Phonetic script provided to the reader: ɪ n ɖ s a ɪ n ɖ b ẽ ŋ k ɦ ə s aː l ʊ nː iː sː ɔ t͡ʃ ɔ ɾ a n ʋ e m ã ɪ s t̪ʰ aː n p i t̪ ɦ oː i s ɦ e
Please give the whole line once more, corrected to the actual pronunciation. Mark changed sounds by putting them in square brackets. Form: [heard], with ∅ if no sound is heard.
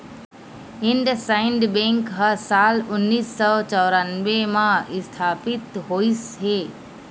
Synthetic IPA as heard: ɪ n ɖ s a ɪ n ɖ b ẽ ŋ k ɦ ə s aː l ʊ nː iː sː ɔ t͡ʃ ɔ ɾ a n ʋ e m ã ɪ s t̪ʰ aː [∅] p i t̪ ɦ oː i s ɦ e